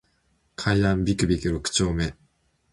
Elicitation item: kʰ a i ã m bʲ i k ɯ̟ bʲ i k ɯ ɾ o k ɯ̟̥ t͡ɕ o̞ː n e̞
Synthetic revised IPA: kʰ a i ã m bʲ i k ɯ̟ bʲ i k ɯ ɾ o k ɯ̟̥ t͡ɕ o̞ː m e̞